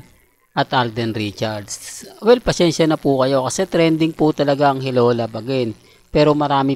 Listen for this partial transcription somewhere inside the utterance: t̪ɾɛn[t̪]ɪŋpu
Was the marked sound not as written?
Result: yes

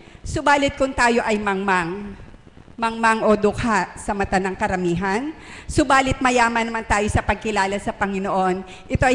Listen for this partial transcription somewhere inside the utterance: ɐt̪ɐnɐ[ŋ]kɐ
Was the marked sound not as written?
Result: no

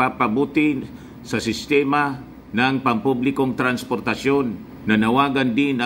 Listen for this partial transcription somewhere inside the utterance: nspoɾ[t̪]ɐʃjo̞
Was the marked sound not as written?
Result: no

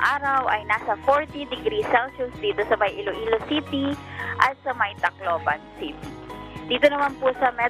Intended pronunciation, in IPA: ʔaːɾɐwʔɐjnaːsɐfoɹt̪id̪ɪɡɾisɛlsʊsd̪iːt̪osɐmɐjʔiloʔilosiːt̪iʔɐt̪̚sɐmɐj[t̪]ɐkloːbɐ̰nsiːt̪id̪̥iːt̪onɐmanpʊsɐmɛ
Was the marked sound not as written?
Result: no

